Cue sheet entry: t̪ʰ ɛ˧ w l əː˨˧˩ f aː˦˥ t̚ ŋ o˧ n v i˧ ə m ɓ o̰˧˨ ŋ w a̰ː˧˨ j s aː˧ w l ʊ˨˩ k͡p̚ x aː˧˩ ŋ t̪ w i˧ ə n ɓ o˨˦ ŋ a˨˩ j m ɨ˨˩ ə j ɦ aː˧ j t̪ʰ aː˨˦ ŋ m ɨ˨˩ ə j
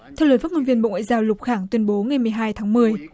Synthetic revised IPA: t̪ʰ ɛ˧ w l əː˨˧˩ f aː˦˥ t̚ ŋ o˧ n v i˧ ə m ɓ o̰˧˨ ŋ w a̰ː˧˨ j z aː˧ w l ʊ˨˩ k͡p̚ x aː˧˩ ŋ t̪ w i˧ ə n ɓ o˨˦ ŋ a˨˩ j m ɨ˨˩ ə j ɦ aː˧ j t̪ʰ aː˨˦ ŋ m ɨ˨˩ ə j